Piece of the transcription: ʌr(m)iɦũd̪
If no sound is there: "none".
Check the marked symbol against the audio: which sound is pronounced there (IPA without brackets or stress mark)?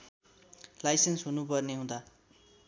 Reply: n